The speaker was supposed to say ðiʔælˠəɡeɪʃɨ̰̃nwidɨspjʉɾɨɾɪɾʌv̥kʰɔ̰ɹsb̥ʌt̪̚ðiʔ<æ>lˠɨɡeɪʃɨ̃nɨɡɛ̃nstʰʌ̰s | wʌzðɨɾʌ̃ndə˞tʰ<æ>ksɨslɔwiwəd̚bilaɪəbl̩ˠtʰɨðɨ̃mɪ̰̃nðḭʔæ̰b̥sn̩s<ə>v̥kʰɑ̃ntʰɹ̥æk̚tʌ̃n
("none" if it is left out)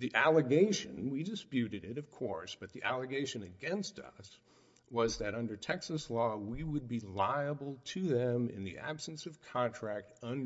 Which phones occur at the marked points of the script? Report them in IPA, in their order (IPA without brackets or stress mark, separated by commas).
æ, ɛ, ʌ